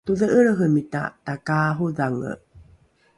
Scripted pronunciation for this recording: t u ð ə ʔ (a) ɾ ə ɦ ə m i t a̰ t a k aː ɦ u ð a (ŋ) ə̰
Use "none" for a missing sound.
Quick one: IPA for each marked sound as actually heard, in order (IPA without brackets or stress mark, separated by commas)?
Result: ə, ŋ